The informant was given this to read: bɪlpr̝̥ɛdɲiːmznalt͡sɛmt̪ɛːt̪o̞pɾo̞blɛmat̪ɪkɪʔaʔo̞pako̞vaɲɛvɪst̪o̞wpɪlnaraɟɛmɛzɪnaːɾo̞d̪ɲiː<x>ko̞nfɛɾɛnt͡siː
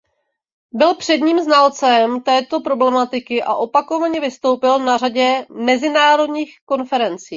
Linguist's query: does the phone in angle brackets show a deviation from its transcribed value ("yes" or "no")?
no